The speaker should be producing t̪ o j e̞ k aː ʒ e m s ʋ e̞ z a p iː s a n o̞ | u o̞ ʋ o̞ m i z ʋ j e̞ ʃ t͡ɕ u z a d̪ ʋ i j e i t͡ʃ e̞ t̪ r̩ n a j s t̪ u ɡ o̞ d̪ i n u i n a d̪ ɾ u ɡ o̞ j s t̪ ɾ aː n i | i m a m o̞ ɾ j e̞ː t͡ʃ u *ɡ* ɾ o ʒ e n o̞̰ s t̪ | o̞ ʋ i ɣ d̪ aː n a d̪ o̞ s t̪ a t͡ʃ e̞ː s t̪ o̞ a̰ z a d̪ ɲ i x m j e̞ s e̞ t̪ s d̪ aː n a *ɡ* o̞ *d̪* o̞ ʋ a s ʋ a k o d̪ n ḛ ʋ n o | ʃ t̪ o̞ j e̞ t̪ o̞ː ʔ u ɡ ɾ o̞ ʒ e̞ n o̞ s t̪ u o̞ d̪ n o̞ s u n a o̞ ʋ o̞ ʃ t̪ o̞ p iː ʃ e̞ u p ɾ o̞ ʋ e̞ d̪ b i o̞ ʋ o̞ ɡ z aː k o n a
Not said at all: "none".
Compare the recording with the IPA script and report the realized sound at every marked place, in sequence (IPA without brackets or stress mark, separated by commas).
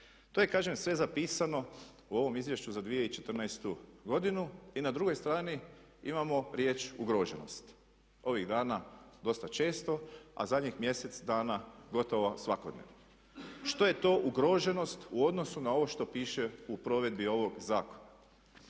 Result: ɡ, ɡ, t̪